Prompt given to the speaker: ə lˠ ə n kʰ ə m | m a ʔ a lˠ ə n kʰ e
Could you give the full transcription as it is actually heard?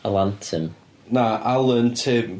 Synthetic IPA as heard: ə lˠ a n tʰ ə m | n a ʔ a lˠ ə n tʰ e